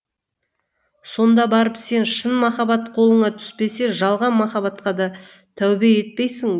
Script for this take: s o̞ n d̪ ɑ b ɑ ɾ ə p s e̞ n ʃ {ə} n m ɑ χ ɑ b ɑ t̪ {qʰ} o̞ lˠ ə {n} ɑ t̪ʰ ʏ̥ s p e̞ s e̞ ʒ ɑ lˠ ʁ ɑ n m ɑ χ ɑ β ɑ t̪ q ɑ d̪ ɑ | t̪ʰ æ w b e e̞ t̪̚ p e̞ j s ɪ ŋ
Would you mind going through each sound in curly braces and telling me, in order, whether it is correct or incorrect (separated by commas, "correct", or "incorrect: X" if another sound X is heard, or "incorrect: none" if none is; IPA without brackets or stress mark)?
correct, correct, incorrect: ɴ